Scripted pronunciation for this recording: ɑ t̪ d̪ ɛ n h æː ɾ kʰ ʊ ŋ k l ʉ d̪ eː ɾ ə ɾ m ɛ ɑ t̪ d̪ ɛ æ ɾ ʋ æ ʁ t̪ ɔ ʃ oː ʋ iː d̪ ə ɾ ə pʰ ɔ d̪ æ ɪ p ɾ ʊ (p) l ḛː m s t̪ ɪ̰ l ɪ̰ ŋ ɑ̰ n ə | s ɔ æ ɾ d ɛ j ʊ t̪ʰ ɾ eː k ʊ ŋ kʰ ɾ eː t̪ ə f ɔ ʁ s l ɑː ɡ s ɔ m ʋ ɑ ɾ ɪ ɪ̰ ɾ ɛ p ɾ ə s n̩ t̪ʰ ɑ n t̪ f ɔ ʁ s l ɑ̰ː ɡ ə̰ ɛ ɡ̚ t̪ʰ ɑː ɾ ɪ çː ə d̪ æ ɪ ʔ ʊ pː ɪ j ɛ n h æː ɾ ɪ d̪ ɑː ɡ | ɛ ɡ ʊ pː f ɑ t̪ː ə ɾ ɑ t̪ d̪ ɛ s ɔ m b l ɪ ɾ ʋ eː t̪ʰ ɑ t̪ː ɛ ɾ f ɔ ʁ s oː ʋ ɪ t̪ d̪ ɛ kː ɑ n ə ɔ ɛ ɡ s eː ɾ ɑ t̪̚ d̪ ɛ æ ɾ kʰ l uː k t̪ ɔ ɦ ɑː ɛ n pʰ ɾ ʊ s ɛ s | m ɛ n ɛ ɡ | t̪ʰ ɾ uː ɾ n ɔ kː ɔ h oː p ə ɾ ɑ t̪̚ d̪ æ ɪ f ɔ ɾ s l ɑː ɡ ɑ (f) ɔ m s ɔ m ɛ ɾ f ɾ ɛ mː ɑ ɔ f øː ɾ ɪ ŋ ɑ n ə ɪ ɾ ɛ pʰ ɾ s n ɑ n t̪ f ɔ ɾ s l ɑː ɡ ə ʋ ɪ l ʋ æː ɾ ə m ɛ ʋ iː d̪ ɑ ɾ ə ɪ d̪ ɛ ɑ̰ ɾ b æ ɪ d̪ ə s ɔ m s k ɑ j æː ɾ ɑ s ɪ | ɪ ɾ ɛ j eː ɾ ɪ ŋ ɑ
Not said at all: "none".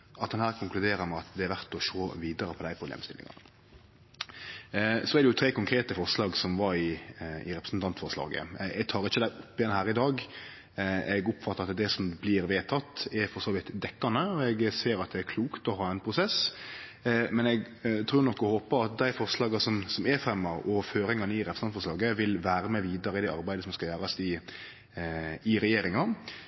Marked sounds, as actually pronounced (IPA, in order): b, s

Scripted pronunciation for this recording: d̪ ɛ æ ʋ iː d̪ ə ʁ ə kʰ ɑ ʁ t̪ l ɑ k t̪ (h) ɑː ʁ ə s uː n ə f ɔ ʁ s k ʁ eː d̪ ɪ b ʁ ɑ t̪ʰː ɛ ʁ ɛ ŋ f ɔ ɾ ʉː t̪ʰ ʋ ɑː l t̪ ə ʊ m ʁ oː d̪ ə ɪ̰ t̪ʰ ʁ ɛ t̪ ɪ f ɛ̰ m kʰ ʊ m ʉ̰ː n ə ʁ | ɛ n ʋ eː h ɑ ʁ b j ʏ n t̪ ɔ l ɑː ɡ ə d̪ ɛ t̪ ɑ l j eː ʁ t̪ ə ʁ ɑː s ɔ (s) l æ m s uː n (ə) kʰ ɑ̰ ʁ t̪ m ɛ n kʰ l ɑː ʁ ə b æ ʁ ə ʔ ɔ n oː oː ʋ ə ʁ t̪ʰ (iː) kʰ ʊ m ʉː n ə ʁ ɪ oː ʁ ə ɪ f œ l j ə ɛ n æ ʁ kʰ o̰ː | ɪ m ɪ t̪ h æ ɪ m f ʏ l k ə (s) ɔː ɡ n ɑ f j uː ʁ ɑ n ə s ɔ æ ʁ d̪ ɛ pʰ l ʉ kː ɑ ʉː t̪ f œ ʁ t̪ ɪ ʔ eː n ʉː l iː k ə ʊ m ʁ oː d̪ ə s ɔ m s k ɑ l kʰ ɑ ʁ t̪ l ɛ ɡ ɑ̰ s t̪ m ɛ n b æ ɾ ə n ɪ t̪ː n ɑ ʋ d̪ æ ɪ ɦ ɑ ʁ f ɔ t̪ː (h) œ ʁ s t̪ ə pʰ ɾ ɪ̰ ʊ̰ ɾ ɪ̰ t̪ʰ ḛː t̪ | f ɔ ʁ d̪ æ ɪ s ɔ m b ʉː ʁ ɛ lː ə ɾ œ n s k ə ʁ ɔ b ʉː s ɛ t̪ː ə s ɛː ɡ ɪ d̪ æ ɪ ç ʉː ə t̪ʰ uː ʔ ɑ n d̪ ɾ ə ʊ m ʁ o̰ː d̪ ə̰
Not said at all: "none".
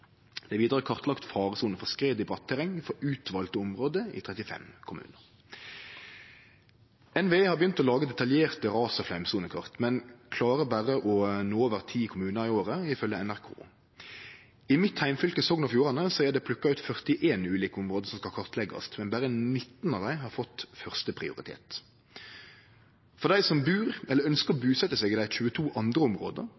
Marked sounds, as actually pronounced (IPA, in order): f, f, ə, iː, s, f

